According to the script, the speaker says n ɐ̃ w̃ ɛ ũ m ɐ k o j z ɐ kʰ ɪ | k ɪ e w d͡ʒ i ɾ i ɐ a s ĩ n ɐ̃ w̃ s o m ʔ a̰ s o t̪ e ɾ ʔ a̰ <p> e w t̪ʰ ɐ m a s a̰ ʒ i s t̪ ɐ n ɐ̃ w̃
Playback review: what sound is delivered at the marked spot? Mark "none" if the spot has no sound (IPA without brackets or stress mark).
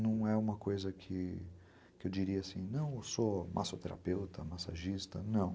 p